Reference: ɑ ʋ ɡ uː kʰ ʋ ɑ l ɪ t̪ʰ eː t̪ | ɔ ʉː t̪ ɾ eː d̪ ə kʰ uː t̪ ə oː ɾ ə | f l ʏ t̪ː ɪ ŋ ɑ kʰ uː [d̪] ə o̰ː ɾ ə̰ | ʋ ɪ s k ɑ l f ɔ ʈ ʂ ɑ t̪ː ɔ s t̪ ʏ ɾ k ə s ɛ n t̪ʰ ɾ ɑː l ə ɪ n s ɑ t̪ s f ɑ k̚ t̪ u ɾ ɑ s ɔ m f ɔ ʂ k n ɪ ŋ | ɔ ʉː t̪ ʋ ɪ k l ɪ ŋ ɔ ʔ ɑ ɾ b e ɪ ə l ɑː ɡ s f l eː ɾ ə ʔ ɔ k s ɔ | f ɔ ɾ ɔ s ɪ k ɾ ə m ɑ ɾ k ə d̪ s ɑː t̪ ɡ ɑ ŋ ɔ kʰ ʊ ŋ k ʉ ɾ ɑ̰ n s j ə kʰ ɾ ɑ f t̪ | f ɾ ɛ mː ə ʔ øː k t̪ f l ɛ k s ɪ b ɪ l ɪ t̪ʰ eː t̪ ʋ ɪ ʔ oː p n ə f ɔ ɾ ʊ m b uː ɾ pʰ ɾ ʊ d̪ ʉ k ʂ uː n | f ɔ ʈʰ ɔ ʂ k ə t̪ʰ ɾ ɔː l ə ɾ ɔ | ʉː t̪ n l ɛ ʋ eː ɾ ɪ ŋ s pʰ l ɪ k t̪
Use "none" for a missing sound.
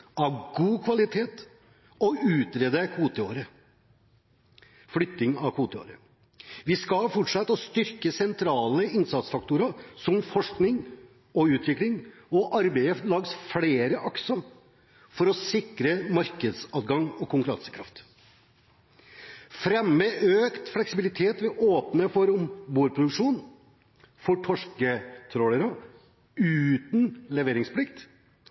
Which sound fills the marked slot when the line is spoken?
t̪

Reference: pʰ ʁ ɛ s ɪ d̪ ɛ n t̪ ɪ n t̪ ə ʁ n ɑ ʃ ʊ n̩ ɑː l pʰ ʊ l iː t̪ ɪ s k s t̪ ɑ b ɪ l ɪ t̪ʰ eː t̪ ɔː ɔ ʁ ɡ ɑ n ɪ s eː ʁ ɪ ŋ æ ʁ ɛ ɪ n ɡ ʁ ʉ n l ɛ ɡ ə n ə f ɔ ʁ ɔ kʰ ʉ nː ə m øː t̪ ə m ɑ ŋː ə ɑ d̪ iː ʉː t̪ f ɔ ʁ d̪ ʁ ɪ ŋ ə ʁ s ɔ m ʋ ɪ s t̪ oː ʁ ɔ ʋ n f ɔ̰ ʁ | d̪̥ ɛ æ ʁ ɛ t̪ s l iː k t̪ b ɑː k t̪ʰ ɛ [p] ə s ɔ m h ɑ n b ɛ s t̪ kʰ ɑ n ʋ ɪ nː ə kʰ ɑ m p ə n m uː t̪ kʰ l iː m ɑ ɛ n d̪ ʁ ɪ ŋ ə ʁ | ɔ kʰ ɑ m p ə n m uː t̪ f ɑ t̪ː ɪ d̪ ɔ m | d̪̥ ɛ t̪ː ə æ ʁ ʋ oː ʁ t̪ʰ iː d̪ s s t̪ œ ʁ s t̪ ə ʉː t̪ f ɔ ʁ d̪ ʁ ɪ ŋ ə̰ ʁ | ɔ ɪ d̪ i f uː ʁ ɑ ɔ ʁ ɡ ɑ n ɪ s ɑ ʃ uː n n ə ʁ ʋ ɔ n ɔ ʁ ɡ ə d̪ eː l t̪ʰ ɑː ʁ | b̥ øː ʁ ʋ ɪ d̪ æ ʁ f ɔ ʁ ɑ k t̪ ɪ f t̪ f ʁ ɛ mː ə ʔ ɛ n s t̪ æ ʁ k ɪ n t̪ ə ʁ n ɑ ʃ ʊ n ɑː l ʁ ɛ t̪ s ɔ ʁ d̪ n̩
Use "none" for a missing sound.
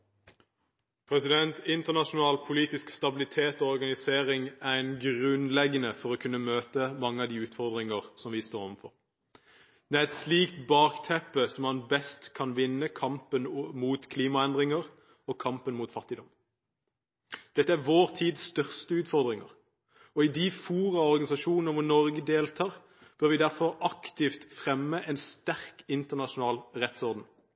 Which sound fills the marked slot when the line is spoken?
p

